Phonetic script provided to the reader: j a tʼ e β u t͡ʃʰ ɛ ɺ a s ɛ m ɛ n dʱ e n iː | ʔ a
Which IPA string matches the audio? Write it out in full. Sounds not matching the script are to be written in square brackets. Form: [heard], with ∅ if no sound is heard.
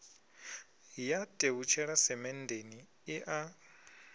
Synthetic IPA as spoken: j a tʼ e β u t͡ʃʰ ɛ ɺ a s ɛ m ɛ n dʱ e n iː | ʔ a